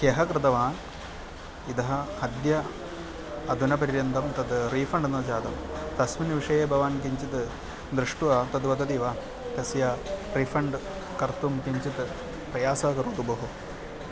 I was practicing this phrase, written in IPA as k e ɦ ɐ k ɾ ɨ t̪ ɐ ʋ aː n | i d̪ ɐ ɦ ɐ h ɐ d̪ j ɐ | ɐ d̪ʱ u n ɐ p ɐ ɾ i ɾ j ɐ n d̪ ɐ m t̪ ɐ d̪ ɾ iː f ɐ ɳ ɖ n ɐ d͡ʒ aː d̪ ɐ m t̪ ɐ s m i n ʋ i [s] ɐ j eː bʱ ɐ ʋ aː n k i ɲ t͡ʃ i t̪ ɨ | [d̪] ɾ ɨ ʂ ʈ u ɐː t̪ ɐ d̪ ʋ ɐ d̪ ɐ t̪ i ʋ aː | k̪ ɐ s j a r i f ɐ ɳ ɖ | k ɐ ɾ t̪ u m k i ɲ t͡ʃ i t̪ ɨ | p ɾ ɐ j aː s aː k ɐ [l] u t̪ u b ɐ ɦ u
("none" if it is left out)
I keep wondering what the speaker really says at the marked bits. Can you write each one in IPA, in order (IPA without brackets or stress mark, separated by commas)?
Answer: ʂ, d̪, ɾ